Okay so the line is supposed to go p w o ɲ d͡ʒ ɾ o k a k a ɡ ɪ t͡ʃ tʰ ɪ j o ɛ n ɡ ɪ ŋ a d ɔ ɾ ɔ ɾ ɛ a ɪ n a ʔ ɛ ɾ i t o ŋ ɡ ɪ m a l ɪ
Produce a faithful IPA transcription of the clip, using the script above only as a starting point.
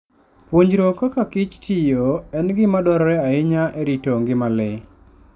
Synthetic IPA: p w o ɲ d͡ʒ ɾ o k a k a k ɪ t͡ʃ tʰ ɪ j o ɛ n ɡ ɪ m a d ɔ ɾ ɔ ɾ ɛ a ɪ ɲ a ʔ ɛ ɾ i t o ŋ ɡ ɪ m a l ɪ